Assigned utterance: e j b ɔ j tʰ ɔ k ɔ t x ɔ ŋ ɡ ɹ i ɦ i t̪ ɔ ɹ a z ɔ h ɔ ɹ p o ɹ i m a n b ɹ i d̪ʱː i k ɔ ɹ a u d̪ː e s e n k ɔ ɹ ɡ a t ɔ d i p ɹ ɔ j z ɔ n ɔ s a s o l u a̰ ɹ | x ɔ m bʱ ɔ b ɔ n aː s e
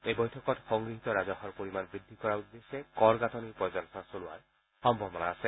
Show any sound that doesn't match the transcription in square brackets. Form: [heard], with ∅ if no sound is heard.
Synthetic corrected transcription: e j b ɔ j tʰ ɔ k ɔ t x ɔ ŋ ɡ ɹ i ɦ i t̪ ɔ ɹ a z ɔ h ɔ ɹ p o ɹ i m a n b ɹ i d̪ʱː i k ɔ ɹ a u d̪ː e s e [∅] k ɔ ɹ ɡ a t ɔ [n] i p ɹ ɔ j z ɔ n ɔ s a s o l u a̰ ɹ | x ɔ m bʱ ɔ b ɔ n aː s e